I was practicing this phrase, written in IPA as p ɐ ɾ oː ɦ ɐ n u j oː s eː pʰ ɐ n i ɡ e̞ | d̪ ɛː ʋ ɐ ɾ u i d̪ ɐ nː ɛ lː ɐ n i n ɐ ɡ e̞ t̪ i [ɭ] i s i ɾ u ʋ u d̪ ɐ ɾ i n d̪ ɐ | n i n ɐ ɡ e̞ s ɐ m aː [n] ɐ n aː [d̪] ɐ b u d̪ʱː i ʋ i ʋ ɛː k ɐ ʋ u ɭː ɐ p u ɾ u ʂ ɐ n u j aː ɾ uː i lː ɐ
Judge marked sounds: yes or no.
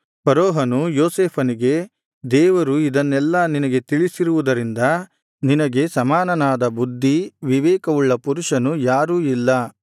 yes, yes, yes

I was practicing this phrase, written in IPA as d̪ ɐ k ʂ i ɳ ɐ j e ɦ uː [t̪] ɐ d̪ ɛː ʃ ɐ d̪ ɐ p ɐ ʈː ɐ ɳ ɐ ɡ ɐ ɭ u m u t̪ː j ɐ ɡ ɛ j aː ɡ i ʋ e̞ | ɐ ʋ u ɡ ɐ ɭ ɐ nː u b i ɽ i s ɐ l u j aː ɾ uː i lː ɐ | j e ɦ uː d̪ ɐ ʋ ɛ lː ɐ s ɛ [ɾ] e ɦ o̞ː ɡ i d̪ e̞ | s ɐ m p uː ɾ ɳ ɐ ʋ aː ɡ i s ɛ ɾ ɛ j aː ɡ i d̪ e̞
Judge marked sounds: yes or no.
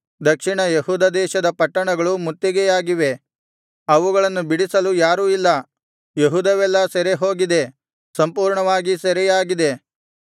no, yes

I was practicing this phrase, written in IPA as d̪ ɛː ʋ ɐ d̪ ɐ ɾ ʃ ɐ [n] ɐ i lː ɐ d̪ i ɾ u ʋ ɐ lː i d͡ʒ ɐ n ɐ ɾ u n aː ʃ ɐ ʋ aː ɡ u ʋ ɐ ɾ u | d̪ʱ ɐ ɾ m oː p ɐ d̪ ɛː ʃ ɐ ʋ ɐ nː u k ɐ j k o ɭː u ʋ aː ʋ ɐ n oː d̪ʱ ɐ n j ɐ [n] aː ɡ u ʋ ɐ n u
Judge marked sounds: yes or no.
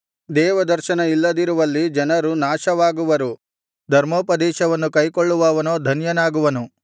yes, yes

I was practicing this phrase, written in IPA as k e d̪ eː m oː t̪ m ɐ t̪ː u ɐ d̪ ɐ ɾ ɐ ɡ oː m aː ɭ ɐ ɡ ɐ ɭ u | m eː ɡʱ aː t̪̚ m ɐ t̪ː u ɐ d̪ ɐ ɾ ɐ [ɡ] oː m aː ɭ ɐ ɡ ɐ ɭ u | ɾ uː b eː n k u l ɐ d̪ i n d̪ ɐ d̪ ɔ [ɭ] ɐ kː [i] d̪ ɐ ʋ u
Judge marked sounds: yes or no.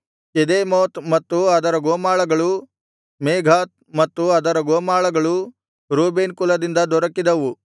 yes, no, yes

